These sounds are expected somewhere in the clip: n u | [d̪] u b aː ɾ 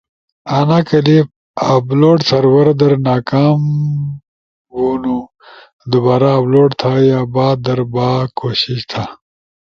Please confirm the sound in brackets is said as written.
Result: yes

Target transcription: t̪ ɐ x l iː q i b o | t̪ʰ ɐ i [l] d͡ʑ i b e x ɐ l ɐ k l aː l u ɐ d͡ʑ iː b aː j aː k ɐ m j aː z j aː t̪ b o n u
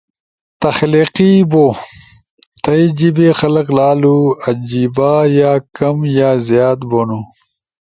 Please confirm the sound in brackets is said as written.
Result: no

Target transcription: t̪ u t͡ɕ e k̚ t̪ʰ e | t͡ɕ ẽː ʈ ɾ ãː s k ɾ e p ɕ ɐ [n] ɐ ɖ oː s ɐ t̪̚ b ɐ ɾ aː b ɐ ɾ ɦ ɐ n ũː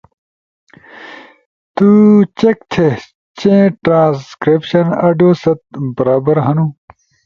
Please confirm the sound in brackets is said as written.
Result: yes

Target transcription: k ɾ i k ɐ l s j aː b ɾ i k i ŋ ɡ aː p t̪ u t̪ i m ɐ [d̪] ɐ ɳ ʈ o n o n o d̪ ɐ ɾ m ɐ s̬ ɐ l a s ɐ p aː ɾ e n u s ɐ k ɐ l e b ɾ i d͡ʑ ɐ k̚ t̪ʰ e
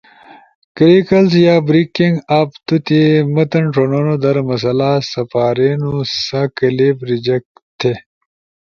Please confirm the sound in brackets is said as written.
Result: no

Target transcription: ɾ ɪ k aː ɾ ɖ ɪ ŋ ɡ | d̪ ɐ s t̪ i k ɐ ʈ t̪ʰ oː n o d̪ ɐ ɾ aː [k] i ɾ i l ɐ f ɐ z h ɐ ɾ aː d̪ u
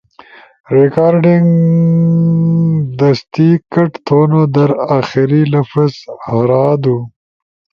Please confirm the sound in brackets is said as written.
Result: no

